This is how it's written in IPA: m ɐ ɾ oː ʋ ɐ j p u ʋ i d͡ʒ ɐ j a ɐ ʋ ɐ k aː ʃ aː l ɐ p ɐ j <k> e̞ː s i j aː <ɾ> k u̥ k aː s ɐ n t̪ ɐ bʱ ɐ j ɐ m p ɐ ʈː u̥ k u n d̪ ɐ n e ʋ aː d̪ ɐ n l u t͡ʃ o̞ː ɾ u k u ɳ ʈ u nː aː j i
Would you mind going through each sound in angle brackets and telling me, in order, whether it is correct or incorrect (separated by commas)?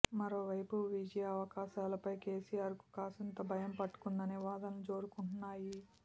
correct, correct